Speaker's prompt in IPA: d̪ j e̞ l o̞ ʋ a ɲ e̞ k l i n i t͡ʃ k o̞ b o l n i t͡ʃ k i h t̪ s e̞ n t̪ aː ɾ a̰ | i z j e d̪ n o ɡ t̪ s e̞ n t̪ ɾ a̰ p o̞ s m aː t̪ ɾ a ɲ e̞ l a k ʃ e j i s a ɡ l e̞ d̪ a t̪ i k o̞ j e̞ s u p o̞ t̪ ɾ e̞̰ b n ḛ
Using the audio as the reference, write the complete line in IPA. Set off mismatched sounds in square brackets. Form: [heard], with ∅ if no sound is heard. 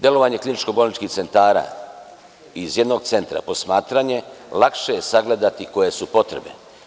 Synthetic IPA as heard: d̪ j e̞ l o̞ ʋ a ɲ e̞ k l i n i t͡ʃ k o̞ b o l n i t͡ʃ k i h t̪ s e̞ n t̪ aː ɾ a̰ | i z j e d̪ n o ɡ t̪ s e̞ n t̪ ɾ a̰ p o̞ s m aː t̪ ɾ a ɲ e̞ l a k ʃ e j [e] s a ɡ l e̞ d̪ a t̪ i k o̞ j e̞ s u p o̞ t̪ ɾ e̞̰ b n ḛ

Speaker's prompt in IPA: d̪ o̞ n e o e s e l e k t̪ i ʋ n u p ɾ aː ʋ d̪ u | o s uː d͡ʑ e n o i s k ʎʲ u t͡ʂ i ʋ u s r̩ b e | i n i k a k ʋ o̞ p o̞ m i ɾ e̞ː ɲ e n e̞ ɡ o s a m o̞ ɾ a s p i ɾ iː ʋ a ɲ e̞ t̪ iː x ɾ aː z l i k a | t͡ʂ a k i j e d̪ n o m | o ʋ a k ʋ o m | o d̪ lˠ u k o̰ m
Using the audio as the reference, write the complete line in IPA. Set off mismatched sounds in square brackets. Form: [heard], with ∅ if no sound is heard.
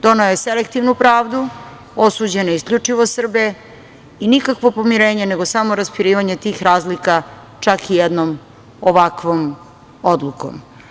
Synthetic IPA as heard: d̪ o̞ n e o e s e l e k t̪ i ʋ n u p ɾ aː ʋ d̪ u | o s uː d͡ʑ e n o i s k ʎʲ u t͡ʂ i ʋ [o] s r̩ b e | i n i k a k ʋ o̞ p o̞ m i ɾ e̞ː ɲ e n e̞ ɡ o s a m o̞ ɾ a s p i ɾ iː ʋ a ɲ e̞ t̪ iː x ɾ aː z l i k a | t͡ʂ a k i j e d̪ n o m | o ʋ a k ʋ o m | o d̪ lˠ u k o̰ m

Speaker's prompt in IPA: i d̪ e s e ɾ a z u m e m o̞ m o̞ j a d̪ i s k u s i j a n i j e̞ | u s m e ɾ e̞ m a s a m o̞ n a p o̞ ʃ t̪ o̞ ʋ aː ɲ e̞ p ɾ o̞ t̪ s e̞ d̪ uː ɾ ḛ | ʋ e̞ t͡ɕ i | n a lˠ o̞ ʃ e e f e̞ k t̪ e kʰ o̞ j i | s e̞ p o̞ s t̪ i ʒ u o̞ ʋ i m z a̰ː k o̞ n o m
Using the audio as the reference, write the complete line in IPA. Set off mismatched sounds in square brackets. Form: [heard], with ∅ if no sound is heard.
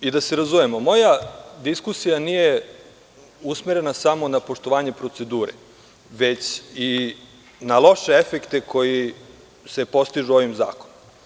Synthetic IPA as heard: i d̪ [a] s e ɾ a z u m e m o̞ m o̞ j a d̪ i s k u s i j a n i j e̞ | u s m e ɾ e̞ [n] a s a m o̞ n a p o̞ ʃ t̪ o̞ ʋ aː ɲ e̞ p ɾ o̞ t̪ s e̞ d̪ uː ɾ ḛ | ʋ e̞ t͡ɕ i | n a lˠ o̞ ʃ e e f e̞ k t̪ e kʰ o̞ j i | s e̞ p o̞ s t̪ i ʒ u o̞ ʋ i m z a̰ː k o̞ n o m

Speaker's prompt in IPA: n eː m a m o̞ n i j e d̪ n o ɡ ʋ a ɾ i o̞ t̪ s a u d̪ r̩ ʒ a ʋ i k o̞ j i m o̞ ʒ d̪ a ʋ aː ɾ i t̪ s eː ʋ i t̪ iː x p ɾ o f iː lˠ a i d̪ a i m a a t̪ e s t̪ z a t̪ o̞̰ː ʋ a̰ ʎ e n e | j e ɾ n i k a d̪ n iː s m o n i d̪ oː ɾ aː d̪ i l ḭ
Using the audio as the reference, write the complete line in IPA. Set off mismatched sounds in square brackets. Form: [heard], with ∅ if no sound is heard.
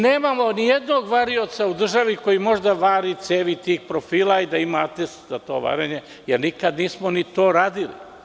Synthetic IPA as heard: n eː m a m o̞ n i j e d̪ n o ɡ ʋ a ɾ i o̞ t̪ s a u d̪ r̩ ʒ a ʋ i k o̞ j i m o̞ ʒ d̪ a ʋ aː ɾ i t̪ s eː ʋ i t̪ iː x p ɾ o f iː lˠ a i d̪ a i m a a t̪ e s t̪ z a t̪ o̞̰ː ʋ a̰ [ɾ] e [ɲ] e | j e ɾ n i k a d̪ n iː s m o n i [t̪] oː ɾ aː d̪ i l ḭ

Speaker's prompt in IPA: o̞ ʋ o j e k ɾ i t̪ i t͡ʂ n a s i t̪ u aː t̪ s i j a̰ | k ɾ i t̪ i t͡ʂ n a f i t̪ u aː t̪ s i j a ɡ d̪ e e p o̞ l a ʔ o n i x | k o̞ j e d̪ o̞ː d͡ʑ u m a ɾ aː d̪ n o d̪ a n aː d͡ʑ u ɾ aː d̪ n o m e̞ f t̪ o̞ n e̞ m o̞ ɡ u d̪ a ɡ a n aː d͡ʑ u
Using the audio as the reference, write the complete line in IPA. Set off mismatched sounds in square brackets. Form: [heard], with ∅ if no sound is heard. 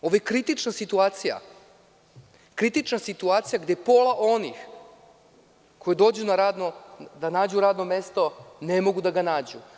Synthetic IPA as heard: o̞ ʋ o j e k ɾ i t̪ i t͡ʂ n a s i t̪ u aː t̪ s i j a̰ | k ɾ i t̪ i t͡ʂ n a [s] i t̪ u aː t̪ s i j a ɡ d̪ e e p o̞ l a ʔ o n i x | k o̞ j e d̪ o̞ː d͡ʑ u [n] a ɾ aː d̪ n o d̪ a n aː d͡ʑ u ɾ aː d̪ n o m e̞ [s] t̪ o̞ n e̞ m o̞ ɡ u d̪ a ɡ a n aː d͡ʑ u

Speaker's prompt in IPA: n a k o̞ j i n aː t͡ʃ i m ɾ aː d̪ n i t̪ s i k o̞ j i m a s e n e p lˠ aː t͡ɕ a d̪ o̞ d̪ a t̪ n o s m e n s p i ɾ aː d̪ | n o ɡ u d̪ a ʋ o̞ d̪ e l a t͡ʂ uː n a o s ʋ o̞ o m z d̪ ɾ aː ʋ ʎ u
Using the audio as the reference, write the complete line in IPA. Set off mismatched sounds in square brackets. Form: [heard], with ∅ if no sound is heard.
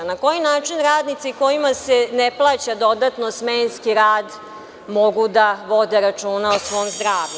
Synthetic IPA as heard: n a k o̞ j i n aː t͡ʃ i [n] ɾ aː d̪ n i t̪ s i k o̞ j i m a s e n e p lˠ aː t͡ɕ a d̪ o̞ d̪ a t̪ n o s m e n s [k] i ɾ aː d̪ | [m] o ɡ u d̪ a ʋ o̞ d̪ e [ɾ] a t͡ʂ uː n a o s ʋ o̞ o m z d̪ ɾ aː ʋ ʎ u

